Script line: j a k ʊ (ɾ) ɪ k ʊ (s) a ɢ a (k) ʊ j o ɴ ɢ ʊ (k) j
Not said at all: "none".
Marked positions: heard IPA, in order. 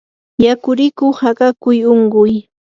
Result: ɾ, h, k, none

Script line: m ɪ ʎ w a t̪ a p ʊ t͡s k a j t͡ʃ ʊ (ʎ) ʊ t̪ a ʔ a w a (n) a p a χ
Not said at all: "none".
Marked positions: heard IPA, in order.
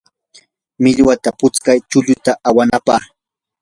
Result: ʎ, n

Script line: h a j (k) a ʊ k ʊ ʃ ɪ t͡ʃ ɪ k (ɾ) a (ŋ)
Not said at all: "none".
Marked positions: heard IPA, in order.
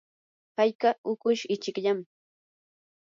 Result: k, ʎ, m

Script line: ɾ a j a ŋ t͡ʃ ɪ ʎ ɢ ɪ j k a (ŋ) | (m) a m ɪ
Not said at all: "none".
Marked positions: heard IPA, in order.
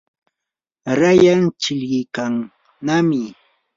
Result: ŋ, n

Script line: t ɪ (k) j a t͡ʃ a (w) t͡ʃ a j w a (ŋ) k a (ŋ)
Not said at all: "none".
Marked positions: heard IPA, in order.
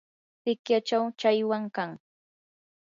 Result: k, w, ŋ, ŋ

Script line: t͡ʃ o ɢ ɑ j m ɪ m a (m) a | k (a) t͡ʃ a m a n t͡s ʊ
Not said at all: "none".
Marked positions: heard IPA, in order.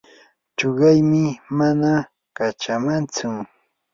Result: n, a

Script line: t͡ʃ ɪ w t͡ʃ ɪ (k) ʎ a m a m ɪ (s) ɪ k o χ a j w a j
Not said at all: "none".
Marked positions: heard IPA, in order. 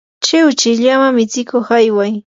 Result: none, t͡s

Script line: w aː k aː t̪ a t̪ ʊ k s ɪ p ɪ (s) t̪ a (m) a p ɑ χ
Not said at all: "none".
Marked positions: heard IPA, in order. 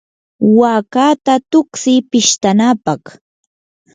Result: ʃ, n

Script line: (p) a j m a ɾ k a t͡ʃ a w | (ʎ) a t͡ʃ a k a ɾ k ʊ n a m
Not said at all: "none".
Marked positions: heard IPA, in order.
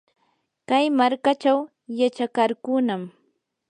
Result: k, j

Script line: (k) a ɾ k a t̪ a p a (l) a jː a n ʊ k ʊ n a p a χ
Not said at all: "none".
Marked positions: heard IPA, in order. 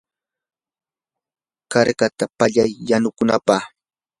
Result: k, ʎ

